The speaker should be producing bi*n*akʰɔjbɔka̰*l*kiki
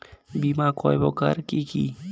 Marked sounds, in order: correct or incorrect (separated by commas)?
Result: incorrect, incorrect